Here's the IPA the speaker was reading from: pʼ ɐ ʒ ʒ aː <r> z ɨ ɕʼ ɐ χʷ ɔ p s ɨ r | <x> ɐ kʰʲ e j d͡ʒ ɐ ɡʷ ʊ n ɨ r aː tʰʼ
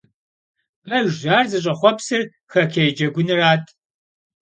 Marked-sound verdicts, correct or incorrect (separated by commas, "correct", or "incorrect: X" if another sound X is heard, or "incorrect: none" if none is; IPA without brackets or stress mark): correct, correct